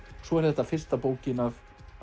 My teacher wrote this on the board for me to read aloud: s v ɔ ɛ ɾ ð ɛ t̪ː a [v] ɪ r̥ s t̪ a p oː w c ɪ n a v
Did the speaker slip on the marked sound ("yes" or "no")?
yes